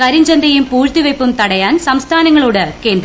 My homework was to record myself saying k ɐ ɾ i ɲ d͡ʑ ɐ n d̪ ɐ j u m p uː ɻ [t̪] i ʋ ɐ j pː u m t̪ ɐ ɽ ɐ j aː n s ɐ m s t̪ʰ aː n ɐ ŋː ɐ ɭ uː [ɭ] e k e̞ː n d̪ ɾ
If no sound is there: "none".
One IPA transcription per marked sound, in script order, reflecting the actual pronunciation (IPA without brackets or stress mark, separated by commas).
t̪, ɽ